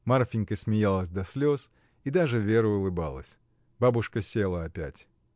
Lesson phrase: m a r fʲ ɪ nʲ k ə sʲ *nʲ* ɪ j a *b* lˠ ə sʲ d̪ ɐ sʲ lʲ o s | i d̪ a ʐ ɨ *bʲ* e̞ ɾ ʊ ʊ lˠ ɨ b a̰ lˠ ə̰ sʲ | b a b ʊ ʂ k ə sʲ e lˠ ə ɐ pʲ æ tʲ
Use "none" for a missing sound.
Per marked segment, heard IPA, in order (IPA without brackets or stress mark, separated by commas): mʲ, none, vʲ